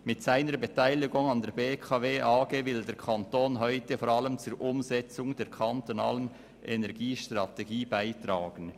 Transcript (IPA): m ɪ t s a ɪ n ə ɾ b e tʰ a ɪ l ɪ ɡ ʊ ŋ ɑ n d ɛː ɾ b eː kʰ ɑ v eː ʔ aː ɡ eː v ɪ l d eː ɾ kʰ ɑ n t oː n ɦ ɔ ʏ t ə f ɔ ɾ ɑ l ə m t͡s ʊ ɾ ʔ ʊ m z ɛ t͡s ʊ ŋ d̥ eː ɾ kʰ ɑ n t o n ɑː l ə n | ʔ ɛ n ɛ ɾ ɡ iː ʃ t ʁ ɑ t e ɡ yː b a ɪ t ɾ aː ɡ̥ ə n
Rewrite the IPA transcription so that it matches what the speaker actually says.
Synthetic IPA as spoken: m ɪ t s a ɪ n ə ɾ b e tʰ a ɪ l ɪ ɡ ʊ ŋ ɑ n d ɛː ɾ b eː kʰ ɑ v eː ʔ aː ɡ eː v ɪ l d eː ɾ kʰ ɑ n t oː n ɦ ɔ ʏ t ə f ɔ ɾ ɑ l ə m t͡s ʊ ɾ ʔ ʊ m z ɛ t͡s ʊ ŋ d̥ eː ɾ kʰ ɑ n t o n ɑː l ə n | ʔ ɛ n ɛ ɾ ɡ iː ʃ t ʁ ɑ t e ɡ iː b a ɪ t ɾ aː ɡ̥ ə n

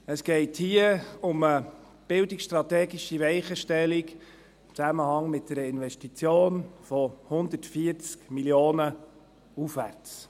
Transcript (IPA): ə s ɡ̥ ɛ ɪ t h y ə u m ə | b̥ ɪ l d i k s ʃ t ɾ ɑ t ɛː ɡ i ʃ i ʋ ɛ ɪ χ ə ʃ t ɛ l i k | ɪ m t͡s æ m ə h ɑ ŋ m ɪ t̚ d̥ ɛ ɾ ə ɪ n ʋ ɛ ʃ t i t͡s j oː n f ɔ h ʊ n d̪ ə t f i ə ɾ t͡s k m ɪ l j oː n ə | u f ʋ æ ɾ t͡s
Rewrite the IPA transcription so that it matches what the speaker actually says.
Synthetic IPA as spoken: ə s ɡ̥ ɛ ɪ t h i ə ʊ m ə | b̥ ɪ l d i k s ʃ t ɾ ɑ t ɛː ɡ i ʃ i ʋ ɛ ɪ χ ə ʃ t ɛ l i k | ɪ m t͡s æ m ə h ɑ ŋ m ɪ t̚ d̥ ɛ ɾ ə ɪ n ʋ ɛ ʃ t i t͡s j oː n f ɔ h ʊ n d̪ ə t f i ə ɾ t͡s k m i l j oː n ə | u f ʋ æ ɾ t͡s

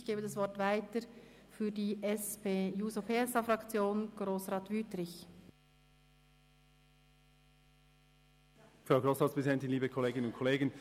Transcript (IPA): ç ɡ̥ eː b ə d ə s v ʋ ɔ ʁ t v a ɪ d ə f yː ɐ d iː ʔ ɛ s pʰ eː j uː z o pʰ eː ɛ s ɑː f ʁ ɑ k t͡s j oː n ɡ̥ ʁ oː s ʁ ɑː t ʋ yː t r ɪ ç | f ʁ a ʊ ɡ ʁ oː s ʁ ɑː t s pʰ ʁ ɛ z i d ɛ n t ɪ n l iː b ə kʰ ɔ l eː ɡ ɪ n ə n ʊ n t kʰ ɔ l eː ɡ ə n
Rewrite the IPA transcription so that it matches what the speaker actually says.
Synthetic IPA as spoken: ç ɡ̥ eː b ə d ɑ s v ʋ ɔ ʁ t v a ɪ t ə f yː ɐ d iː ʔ ɛ s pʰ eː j uː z o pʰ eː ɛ s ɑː f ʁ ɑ k t͡s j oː n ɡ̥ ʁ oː s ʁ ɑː t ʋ yː t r ɪ ç | f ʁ a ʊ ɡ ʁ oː s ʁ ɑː t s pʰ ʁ ɛ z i d ɛ n t ɪ n l iː b ə kʰ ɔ l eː ɡ ɪ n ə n ʊ n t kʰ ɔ l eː ɡ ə n

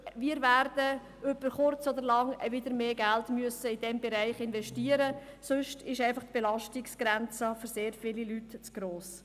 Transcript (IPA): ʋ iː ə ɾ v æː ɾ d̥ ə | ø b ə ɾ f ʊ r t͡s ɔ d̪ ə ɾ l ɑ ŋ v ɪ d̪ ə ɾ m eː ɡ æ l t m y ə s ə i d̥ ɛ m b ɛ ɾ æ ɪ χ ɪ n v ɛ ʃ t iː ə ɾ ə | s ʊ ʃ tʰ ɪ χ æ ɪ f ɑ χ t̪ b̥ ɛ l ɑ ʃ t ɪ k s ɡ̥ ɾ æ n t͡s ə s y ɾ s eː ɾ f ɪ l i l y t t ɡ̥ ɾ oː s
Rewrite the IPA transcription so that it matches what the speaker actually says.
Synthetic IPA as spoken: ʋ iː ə ɾ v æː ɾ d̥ ə | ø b ə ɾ χ ʊ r t͡s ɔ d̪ ə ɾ l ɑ ŋ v ɪ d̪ ə ɾ m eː ɡ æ l t m y ə s ə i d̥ ɛ m b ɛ ɾ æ ɪ χ ɪ n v ɛ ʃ t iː ə ɾ ə | s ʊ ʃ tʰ ɪ ʃ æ ɪ f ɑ χ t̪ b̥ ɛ l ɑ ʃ t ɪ k s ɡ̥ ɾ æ n t͡s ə f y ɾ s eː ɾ f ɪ l i l y t t͡s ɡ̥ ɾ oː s

